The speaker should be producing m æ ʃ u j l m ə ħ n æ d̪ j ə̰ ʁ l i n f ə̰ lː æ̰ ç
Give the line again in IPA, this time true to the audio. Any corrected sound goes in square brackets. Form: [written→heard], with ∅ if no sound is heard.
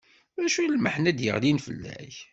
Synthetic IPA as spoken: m æ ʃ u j l m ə ħ n æ d̪ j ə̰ ʁ l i n f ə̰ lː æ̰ ç